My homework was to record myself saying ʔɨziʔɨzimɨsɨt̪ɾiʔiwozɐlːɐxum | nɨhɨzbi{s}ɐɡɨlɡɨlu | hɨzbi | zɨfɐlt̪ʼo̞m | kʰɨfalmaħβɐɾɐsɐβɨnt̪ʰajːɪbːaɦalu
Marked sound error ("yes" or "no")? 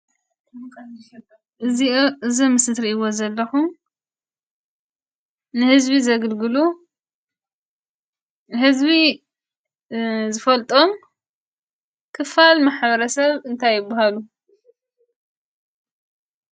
yes